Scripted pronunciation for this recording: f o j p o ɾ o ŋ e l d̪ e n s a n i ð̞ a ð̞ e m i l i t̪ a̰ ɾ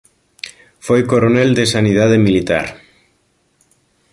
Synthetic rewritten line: f o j k o ɾ o n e l d̪ e s a n i ð̞ a ð̞ e m i l i t̪ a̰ ɾ

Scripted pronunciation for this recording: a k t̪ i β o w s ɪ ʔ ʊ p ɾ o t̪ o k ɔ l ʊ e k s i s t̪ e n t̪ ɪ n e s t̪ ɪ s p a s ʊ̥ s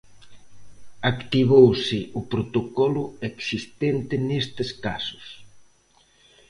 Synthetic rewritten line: a k t̪ i β o w s ɪ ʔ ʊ p ɾ o t̪ o k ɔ l ʊ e k s i s t̪ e n t̪ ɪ n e s t̪ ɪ s k a s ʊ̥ s

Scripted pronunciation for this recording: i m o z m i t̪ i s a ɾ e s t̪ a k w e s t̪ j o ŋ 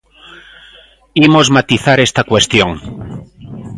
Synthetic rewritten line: i m o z m a t̪ i θ a ɾ e s t̪ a k w e s t̪ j o ŋ

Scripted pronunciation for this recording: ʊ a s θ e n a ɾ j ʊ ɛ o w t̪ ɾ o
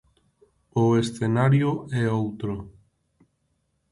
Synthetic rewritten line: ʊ e s θ e n a ɾ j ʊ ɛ o w t̪ ɾ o

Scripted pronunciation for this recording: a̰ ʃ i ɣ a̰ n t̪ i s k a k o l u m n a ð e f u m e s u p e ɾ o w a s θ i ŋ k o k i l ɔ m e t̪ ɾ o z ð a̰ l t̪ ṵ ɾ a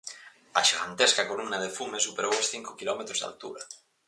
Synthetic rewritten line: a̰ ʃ i ɣ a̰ n t̪ e s k a k o l u m n a ð e f u m e s u p e ɾ o w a s θ i ŋ k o k i l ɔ m e t̪ ɾ o z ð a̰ l t̪ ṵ ɾ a

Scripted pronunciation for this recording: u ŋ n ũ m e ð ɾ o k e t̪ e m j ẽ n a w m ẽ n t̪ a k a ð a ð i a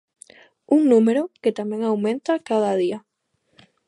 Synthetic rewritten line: u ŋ n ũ m e ɾ o k e t̪ a m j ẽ ŋ a w m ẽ n t̪ a k a ð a ð i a

